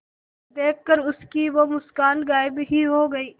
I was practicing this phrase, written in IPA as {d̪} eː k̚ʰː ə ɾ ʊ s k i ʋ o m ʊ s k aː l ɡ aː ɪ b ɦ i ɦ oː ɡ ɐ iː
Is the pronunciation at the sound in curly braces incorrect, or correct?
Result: correct